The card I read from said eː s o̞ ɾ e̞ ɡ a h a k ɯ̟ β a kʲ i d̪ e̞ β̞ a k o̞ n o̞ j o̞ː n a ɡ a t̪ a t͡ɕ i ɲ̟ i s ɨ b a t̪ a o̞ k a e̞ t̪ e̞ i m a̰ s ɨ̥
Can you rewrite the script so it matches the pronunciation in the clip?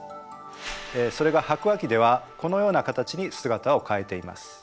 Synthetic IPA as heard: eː s o̞ ɾ e̞ ɡ a h a k ɯ̟ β a kʲ i d̪ e̞ β̞ a k o̞ n o̞ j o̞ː n a k a t̪ a t͡ɕ i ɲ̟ i s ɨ ɡ a t̪ a o̞ k a e̞ t̪ e̞ i m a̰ s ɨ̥